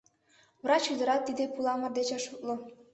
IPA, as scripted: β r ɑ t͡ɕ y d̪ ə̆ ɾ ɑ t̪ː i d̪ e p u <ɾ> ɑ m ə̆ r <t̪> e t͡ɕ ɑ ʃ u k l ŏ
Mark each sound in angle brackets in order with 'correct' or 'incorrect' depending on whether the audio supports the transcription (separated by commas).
incorrect, incorrect